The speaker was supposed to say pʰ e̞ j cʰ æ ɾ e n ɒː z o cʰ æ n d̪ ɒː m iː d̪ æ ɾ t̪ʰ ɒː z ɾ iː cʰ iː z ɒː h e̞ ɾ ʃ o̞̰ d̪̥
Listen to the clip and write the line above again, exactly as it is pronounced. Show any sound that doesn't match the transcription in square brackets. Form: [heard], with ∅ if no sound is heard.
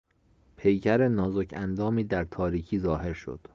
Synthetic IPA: pʰ e̞ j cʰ æ ɾ e n ɒː z o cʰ æ n d̪ ɒː m iː d̪ æ ɾ t̪ʰ ɒː [∅] ɾ iː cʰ iː z ɒː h e̞ ɾ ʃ o̞̰ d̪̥